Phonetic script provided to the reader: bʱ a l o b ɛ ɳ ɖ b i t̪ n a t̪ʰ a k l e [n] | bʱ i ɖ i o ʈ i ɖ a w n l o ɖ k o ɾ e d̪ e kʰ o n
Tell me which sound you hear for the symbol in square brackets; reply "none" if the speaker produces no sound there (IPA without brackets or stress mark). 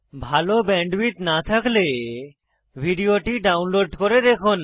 none